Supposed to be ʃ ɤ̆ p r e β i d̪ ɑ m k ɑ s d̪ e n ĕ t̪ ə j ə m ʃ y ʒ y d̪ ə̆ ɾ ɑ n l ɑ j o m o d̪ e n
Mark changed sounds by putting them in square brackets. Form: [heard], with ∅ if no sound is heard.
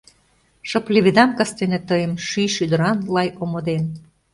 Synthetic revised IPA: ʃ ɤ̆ p [l] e β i d̪ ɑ m k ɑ s [t̪] e n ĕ t̪ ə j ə m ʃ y [ʃ] y d̪ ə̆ ɾ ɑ n l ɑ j o m o d̪ e n

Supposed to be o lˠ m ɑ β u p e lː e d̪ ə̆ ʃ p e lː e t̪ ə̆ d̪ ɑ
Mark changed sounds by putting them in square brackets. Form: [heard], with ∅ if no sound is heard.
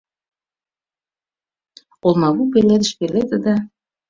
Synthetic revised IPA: o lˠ m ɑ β u p e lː e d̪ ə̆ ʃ p e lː e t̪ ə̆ d̪ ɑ

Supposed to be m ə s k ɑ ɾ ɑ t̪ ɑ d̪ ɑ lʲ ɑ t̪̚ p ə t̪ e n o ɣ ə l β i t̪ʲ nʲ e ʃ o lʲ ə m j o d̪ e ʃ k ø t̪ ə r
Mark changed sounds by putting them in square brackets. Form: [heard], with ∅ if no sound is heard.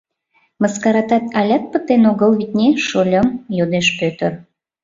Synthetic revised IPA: m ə s k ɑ ɾ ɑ t̪ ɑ [t̪] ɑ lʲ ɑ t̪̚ p ə t̪ e n o ɣ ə l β i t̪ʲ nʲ e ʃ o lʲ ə m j o d̪ e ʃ [p] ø t̪ ə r

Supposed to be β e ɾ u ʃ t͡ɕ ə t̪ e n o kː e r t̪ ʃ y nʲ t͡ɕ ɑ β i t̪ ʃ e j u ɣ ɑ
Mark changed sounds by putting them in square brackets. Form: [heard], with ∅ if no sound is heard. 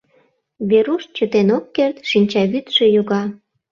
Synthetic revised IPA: β e ɾ u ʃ t͡ɕ ə t̪ e n o kː e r t̪ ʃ [i] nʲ t͡ɕ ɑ β [y] t̪ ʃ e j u ɣ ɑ

